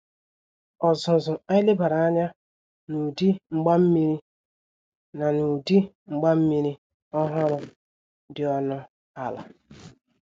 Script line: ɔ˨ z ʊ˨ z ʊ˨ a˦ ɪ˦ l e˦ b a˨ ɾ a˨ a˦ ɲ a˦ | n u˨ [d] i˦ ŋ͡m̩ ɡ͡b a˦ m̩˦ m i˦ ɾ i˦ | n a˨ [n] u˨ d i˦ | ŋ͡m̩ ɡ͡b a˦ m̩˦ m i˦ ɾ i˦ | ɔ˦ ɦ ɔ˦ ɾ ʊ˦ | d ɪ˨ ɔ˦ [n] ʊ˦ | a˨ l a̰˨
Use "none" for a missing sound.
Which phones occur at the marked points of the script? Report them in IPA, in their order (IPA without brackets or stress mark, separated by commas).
d, n, n